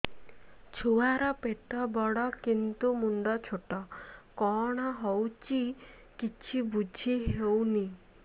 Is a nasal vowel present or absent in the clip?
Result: absent